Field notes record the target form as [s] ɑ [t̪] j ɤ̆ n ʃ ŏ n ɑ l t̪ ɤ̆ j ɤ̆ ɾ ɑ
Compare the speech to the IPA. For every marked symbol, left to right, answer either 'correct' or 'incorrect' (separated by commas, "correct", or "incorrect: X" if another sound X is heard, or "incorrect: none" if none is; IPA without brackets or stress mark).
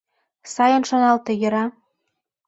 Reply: correct, incorrect: none